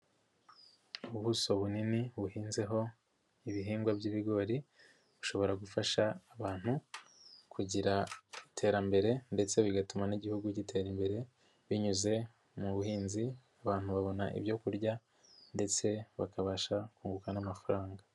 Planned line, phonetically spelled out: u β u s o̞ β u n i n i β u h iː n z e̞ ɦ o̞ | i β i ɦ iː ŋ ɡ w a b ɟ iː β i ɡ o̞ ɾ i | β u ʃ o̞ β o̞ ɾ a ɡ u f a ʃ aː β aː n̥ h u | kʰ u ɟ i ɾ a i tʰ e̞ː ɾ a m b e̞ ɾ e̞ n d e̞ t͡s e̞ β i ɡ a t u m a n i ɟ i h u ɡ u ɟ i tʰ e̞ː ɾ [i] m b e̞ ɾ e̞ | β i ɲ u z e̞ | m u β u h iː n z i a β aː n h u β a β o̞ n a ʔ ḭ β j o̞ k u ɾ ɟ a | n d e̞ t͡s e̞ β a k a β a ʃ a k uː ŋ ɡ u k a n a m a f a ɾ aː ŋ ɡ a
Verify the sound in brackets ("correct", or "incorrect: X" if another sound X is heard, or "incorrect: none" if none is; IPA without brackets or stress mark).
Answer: correct